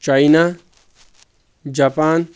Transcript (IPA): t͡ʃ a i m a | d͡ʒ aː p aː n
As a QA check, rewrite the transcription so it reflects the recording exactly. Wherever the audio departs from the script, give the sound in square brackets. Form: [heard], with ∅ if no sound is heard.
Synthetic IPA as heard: t͡ʃ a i [n] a | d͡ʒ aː p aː n